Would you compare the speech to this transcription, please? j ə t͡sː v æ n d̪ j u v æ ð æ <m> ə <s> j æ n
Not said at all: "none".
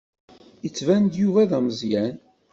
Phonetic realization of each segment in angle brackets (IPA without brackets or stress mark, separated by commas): m, z